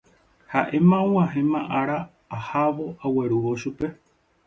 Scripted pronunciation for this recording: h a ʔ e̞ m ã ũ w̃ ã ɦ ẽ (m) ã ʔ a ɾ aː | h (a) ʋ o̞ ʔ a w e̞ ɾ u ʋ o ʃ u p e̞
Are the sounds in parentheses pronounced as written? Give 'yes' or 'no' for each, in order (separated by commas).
yes, yes